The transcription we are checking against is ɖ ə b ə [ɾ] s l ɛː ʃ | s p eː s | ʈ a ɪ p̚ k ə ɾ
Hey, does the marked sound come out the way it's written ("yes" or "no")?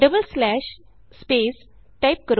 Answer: no